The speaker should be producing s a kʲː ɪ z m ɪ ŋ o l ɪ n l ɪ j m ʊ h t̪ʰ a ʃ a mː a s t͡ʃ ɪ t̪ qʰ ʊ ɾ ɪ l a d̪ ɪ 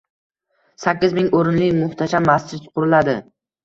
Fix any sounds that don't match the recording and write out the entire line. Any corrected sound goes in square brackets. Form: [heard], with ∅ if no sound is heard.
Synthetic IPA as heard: s a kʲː ɪ z m ɪ ŋ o [ɾ] ɪ n l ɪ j m ʊ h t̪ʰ a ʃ a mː a s t͡ʃ ɪ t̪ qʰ ʊ ɾ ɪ l a d̪ ɪ